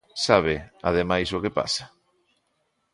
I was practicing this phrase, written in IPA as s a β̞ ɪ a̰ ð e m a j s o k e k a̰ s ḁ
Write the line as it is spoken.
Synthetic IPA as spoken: s a β̞ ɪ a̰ ð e m a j s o k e p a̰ s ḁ